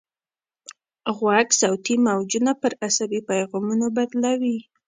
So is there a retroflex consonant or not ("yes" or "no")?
no